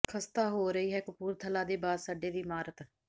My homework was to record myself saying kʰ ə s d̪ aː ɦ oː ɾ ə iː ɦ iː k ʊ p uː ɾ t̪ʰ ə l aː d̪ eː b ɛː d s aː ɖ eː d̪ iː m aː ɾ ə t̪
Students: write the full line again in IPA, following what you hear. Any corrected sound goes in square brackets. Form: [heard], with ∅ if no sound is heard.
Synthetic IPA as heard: kʰ ə s [t̪] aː ɦ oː ɾ ə iː ɦ [ɛː] k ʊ p uː ɾ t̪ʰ ə l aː d̪ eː b [aː] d s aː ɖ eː d̪ iː m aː ɾ ə t̪